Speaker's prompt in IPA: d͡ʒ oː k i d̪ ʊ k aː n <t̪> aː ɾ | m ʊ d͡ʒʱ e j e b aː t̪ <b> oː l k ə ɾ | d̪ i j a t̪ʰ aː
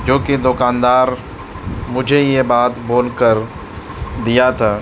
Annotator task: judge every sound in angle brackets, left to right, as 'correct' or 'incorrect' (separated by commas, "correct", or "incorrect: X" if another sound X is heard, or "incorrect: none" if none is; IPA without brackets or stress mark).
incorrect: d̪, correct